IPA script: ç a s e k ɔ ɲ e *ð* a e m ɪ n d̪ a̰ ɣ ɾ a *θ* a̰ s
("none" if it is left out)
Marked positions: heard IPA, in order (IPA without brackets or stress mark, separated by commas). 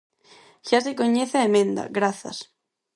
θ, θ